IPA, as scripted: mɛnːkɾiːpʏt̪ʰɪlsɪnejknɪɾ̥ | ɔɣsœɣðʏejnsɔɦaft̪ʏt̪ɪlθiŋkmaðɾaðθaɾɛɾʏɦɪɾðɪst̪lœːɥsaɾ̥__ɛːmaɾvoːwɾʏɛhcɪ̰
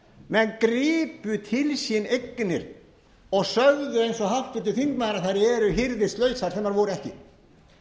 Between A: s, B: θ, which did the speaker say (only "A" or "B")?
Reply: B